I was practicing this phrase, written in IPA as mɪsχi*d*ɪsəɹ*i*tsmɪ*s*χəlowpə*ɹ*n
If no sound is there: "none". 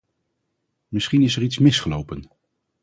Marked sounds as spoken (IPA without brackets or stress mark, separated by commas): n, i, s, none